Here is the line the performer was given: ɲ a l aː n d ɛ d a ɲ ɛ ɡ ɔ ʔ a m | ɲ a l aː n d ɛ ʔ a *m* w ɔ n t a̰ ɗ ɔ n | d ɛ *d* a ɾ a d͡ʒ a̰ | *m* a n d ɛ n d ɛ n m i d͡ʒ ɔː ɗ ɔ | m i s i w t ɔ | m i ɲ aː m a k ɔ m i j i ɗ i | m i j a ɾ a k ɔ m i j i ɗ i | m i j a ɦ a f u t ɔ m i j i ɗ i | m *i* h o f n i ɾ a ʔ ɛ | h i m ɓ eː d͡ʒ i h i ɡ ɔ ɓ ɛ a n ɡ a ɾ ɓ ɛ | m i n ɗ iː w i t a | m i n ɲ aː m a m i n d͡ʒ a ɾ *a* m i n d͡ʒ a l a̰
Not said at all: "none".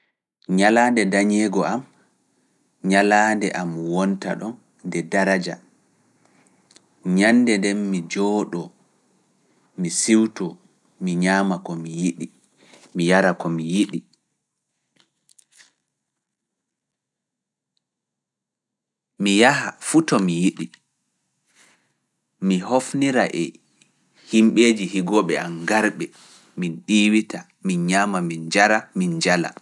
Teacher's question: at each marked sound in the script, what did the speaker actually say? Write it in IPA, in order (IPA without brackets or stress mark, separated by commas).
m, d, ɲ, i, a